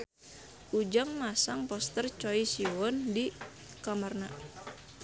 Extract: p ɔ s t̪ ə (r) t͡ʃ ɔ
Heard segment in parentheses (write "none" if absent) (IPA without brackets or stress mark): r